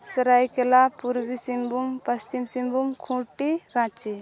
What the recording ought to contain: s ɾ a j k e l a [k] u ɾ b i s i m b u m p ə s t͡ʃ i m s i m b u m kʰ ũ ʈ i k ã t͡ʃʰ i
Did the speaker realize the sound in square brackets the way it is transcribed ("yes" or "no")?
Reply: no